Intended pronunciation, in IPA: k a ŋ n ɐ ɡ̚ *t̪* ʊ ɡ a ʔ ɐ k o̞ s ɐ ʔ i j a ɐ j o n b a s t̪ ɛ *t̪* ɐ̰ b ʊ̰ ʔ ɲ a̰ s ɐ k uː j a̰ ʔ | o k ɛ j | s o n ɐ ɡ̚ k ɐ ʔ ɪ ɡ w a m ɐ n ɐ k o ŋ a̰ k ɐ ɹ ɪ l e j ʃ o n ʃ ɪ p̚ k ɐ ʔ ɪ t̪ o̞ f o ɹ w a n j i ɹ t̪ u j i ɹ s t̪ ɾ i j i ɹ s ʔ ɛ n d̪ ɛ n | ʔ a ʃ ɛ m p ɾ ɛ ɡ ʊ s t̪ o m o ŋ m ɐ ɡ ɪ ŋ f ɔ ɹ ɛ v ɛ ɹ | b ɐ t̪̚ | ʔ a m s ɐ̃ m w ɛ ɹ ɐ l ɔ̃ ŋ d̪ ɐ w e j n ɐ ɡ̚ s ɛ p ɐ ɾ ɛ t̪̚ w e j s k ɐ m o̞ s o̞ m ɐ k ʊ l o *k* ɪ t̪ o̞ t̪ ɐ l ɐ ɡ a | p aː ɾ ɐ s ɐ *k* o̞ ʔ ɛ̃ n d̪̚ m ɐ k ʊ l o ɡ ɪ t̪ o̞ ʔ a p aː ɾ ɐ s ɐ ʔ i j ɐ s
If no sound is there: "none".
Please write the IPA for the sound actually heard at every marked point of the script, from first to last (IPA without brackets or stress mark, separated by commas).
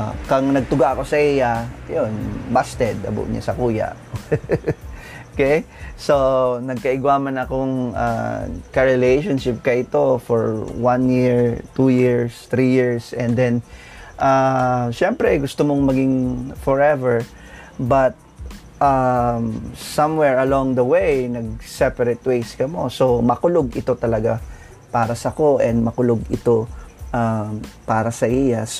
t̪, d̪, ɡ, k